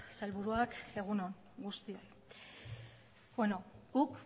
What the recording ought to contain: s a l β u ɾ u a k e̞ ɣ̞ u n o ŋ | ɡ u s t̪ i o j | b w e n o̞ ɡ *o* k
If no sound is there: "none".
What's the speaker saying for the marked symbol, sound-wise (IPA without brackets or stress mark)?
u